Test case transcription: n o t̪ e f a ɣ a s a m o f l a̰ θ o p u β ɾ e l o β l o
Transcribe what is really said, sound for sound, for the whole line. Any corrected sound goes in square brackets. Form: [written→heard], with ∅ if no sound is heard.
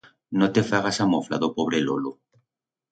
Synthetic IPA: n o t̪ e f a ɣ a s a m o f l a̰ [θ→ð] o p [u→o] β ɾ e l o [β→∅] l o